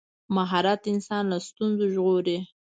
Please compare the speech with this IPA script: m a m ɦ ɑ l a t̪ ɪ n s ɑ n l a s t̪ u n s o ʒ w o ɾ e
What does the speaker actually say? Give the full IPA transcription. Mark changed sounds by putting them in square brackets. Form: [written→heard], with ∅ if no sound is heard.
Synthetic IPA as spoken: m a [m→∅] ɦ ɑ [l→ɾ] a t̪ ɪ n s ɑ n l a s t̪ u n [s→z] o ʒ [w→ɣ] o ɾ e